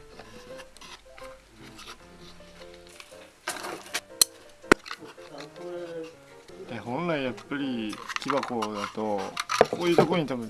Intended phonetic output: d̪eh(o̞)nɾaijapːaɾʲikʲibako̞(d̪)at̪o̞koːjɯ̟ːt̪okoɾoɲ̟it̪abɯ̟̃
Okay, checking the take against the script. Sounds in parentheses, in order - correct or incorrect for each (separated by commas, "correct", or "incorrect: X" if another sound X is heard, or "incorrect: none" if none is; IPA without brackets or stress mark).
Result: incorrect: õ̞, correct